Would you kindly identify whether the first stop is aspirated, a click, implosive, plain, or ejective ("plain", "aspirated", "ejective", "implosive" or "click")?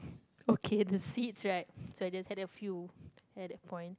aspirated